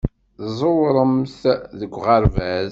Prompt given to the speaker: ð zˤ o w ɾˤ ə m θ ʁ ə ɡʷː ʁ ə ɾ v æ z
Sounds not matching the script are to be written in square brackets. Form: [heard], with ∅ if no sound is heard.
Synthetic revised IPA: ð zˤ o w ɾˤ ə m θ [ð] ə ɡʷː ʁ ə ɾ v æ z